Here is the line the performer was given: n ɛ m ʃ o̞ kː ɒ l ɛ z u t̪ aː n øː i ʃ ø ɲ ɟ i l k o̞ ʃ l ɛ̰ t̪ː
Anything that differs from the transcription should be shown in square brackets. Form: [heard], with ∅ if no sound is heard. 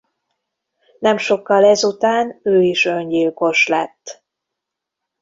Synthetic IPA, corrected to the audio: n ɛ m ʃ o̞ kː ɒ l ɛ z u t̪ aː n øː i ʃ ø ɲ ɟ i l k o̞ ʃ l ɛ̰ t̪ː